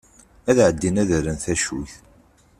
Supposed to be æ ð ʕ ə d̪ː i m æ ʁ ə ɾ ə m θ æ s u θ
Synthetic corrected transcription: æ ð ʕ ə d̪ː i n æ ð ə ɾ ə n θ æ ʃ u θ